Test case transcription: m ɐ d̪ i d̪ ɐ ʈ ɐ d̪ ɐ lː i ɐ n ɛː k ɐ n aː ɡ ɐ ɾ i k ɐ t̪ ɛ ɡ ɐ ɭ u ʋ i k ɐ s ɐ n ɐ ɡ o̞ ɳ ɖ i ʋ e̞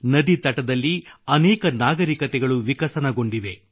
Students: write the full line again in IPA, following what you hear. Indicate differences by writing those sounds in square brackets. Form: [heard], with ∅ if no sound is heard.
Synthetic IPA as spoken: [n] ɐ d̪ i [t̪] ɐ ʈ ɐ d̪ ɐ lː i ɐ n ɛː k ɐ n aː ɡ ɐ ɾ i k ɐ t̪ ɛ ɡ ɐ ɭ u ʋ i k ɐ s ɐ n ɐ ɡ o̞ ɳ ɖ i ʋ e̞

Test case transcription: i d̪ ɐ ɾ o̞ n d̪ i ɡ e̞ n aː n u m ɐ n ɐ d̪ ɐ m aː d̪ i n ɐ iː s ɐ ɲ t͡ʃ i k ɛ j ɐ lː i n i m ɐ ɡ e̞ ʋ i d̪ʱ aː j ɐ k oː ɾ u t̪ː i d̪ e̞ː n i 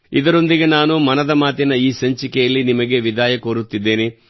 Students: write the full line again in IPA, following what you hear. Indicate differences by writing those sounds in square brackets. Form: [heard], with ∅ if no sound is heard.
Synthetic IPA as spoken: i d̪ ɐ ɾ o̞ n d̪ i ɡ e̞ n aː n u m ɐ n ɐ d̪ ɐ m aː [t̪] i n ɐ iː s ɐ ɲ t͡ʃ i k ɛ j ɐ lː i n i m ɐ ɡ e̞ ʋ i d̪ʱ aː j ɐ k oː ɾ u t̪ː i [d̪ː] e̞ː n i

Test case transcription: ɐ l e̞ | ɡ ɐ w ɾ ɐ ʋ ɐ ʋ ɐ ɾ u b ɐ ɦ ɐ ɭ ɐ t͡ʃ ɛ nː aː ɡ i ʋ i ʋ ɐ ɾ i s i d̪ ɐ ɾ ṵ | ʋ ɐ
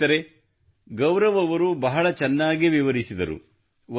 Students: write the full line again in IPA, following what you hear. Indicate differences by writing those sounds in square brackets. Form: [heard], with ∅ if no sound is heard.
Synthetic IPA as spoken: ɐ [ɾ] e̞ | ɡ ɐ w ɾ ɐ ʋ ɐ ʋ ɐ ɾ u b ɐ ɦ ɐ ɭ ɐ t͡ʃ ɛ nː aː ɡ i ʋ i ʋ ɐ ɾ i s i d̪ ɐ ɾ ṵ | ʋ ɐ

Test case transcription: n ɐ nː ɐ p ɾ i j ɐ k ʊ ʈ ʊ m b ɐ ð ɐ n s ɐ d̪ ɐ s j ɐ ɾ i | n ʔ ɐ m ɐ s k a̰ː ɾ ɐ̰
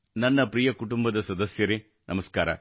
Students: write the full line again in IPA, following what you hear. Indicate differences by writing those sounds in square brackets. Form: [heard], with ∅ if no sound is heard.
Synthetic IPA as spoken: n ɐ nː ɐ p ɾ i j ɐ k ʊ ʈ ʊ m b ɐ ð ɐ [∅] s ɐ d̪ ɐ s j ɐ ɾ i | n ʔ ɐ m ɐ s k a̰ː ɾ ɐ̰

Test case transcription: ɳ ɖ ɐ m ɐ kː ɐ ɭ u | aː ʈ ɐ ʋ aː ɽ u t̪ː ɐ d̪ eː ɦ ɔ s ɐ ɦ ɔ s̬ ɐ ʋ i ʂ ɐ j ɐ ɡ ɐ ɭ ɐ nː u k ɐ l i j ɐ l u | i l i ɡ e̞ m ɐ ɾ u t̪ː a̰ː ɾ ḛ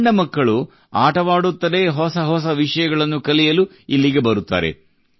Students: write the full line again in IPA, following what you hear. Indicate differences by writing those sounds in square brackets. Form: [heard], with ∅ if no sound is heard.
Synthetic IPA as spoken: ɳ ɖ ɐ m ɐ kː ɐ ɭ u | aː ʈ ɐ ʋ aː ɽ u t̪ː ɐ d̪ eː ɦ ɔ s ɐ ɦ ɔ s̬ ɐ ʋ i ʂ ɐ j ɐ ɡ ɐ ɭ ɐ nː u k ɐ l i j ɐ l u | i [lː] i ɡ e̞ [b] ɐ ɾ u t̪ː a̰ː ɾ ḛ

